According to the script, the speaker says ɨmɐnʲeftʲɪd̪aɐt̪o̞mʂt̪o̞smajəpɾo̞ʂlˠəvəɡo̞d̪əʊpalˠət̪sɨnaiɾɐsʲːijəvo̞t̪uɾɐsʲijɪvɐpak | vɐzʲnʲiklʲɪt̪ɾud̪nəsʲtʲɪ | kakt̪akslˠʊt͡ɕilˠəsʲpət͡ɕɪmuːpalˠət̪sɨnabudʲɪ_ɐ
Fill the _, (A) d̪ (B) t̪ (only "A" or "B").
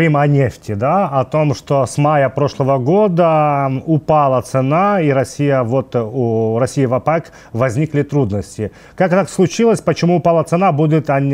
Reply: B